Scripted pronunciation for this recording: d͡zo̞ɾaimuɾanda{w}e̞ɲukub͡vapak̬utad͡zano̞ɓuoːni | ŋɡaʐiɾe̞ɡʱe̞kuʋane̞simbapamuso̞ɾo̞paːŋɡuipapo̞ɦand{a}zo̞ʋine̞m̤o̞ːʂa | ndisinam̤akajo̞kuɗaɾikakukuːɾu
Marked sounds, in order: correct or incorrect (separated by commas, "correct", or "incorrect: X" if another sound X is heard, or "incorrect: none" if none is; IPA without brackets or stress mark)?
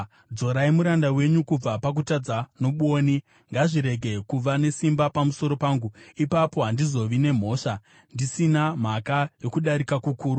correct, incorrect: i